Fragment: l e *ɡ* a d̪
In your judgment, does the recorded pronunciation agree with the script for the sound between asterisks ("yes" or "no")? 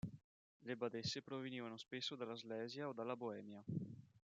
no